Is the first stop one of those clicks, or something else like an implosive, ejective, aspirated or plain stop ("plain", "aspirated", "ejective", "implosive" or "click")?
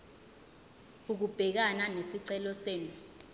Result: plain